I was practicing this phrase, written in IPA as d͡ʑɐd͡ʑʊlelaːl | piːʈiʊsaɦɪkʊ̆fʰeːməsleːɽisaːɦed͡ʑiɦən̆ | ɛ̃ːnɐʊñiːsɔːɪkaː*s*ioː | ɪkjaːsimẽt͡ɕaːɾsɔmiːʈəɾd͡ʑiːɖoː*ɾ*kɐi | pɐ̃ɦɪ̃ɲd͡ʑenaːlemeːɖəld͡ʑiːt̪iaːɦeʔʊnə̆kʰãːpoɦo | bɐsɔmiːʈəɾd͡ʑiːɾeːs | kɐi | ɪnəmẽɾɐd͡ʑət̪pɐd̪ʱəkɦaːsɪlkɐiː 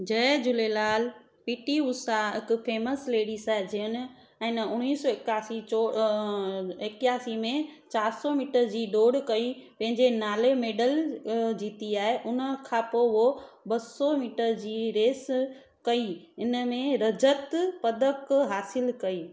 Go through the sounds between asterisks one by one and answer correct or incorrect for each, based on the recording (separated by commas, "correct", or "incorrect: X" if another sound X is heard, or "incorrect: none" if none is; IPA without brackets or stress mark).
correct, incorrect: ɽ